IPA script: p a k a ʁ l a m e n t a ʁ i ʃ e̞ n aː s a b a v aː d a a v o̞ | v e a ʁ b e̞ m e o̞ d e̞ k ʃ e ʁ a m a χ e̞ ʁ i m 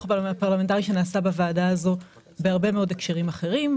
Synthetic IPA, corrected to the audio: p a p a ʁ l a m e n t a ʁ i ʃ e̞ n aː s a b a v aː d a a z o̞ | b e a ʁ b e̞ m e o̞ d e̞ k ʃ e ʁ i m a χ e̞ ʁ i m